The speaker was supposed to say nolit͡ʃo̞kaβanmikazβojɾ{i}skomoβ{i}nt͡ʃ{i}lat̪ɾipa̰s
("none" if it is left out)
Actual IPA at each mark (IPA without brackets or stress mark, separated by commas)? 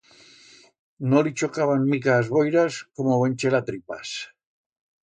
a, e, e